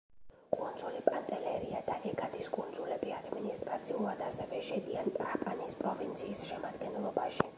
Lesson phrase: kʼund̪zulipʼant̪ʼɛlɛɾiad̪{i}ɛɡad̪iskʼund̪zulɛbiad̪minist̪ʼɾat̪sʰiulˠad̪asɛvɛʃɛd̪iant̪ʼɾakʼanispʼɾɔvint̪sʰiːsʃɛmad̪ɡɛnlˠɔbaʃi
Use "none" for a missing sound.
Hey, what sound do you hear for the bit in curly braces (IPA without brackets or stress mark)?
a